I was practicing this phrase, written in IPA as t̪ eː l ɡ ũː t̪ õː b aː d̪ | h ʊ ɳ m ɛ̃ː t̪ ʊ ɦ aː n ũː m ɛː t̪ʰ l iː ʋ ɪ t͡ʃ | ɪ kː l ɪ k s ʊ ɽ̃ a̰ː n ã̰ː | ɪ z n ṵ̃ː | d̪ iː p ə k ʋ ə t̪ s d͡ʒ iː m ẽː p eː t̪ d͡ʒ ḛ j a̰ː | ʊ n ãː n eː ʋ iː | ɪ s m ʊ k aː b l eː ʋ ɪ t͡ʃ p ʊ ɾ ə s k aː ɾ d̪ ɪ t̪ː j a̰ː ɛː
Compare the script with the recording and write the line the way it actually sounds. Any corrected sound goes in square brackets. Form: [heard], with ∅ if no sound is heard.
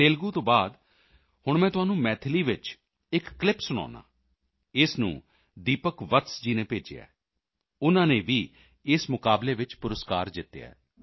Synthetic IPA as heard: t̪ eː l ɡ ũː t̪ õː b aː d̪ | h ʊ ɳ m ɛ̃ː t̪ ʊ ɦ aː n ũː m ɛː t̪ʰ l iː ʋ ɪ t͡ʃ | ɪ kː l ɪ [p] s ʊ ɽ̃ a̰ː n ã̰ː | ɪ [s] n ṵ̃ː | d̪ iː p ə k ʋ ə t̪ s d͡ʒ iː [n] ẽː p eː [∅] d͡ʒ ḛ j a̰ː | ʊ n ãː n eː ʋ iː | ɪ s m ʊ k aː b l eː ʋ ɪ t͡ʃ p ʊ ɾ ə s k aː ɾ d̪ ɪ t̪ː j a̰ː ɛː